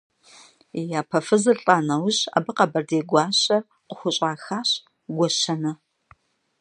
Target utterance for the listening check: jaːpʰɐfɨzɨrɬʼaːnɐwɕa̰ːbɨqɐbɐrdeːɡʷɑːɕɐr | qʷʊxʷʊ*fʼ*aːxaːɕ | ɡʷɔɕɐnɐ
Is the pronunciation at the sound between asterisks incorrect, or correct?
incorrect